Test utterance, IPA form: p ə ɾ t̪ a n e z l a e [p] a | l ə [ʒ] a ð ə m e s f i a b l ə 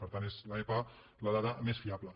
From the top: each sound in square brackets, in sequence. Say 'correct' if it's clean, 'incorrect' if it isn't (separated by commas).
correct, incorrect